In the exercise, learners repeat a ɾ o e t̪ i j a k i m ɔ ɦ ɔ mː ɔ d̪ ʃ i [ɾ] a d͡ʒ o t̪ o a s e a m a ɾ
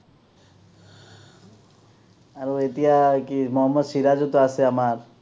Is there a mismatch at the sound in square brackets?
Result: no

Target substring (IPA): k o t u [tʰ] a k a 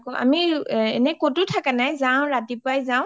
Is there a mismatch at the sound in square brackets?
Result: no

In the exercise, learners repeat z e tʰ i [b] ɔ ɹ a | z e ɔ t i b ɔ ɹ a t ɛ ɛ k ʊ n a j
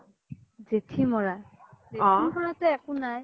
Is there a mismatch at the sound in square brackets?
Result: yes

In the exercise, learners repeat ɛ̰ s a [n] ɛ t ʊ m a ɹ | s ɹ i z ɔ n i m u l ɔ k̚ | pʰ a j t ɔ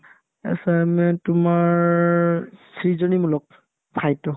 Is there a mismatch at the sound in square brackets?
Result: yes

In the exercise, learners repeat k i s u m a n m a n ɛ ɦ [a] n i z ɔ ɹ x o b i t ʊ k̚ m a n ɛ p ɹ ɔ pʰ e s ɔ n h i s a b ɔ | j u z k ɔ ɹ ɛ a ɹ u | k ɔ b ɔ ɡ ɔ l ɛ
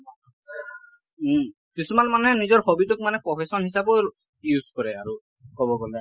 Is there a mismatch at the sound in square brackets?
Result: yes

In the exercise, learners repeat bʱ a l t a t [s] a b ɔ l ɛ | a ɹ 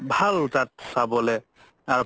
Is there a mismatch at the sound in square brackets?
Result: no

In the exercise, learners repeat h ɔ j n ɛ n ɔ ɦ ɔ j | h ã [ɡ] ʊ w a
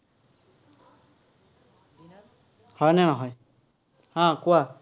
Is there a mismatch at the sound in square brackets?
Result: yes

